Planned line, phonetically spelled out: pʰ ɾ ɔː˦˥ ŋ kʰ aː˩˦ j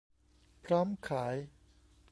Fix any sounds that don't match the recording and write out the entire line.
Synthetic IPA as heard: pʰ ɾ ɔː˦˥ m kʰ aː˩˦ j